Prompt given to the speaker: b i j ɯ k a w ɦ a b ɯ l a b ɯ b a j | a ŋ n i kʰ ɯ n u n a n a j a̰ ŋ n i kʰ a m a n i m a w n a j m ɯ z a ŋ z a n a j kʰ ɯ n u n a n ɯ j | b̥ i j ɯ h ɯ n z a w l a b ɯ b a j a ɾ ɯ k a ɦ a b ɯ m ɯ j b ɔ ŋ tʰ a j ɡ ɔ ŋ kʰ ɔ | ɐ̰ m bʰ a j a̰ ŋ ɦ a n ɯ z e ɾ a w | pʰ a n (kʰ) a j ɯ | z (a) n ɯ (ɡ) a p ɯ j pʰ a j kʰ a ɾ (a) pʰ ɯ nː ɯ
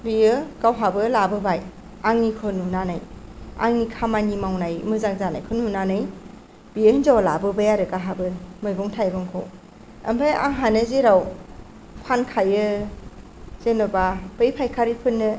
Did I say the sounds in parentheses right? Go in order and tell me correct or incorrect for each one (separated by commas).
correct, incorrect, incorrect, incorrect